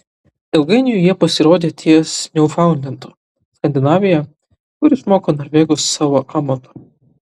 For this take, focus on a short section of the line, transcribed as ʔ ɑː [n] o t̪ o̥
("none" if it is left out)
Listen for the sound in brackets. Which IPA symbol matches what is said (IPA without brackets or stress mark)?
m